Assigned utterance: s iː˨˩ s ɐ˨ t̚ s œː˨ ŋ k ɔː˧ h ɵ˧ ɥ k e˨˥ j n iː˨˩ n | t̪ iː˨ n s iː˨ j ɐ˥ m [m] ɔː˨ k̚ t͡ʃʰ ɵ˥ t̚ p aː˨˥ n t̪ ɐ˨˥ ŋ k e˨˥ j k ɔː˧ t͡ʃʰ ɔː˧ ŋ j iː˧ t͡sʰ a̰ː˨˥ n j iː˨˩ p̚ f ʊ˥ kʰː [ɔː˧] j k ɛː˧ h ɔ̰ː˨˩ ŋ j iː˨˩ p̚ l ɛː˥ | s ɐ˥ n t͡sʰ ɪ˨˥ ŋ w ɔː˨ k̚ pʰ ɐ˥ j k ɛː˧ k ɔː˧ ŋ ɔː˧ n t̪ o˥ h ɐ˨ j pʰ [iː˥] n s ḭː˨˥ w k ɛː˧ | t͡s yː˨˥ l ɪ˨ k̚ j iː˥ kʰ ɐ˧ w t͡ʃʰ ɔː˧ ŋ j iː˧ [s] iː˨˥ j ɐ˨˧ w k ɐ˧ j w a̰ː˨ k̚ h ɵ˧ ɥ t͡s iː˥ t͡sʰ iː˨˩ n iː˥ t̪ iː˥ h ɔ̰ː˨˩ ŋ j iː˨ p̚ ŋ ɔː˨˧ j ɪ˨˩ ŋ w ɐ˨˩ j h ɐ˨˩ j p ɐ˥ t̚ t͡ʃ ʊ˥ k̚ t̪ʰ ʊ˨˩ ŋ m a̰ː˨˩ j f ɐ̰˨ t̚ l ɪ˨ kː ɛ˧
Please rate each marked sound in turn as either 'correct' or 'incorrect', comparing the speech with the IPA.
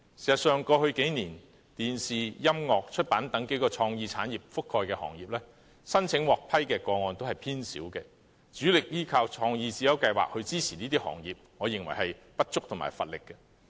incorrect: ŋ, correct, correct, incorrect: t͡s

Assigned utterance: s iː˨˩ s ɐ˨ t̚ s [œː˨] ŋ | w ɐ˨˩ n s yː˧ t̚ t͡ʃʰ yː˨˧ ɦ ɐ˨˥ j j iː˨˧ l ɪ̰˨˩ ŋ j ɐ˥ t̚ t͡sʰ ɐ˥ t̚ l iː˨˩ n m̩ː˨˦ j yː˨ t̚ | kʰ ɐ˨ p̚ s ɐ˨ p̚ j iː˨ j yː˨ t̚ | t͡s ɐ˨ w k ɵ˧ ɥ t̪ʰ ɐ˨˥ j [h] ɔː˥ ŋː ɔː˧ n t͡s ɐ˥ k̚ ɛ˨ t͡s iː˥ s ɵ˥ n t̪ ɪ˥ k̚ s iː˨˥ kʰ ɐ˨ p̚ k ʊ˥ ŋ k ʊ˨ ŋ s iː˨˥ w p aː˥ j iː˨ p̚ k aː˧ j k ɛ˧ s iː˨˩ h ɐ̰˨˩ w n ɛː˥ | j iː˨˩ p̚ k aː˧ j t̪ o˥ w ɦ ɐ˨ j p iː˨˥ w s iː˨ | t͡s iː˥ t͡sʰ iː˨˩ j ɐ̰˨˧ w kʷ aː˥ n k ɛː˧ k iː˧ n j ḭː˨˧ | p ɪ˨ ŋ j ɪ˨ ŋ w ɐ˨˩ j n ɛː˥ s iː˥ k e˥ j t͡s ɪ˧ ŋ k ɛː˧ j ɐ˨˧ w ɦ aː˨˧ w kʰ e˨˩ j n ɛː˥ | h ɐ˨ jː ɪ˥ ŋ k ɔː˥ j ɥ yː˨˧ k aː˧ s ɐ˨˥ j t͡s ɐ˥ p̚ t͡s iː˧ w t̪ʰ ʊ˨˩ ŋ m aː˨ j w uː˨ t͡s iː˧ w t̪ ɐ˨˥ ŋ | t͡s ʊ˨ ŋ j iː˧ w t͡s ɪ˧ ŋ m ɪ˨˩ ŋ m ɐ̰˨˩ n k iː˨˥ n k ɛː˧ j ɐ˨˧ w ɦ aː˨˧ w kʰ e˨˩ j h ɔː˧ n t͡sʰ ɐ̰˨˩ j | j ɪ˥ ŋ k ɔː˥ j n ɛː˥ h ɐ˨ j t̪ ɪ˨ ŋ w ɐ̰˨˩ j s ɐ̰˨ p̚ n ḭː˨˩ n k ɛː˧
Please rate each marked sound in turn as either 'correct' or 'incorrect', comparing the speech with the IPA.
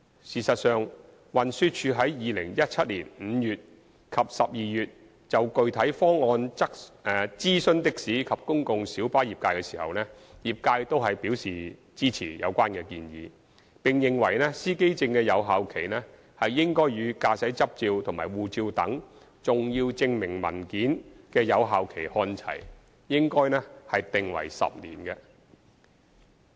correct, incorrect: f

